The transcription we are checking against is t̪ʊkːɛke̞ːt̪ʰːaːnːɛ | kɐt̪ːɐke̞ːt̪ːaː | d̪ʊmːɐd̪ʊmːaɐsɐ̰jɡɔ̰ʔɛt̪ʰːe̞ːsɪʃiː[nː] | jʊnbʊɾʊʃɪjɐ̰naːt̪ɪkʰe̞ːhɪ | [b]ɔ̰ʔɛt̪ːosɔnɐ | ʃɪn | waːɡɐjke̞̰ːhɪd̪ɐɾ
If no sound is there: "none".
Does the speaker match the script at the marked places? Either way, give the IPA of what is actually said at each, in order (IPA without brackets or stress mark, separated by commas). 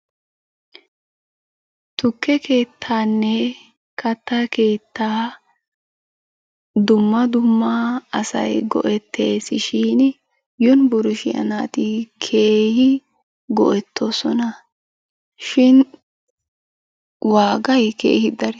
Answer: n, ɡ